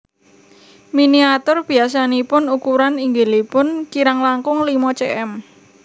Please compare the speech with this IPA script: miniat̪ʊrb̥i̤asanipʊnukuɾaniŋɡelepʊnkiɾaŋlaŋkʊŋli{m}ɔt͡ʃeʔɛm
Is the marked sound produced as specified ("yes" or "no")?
yes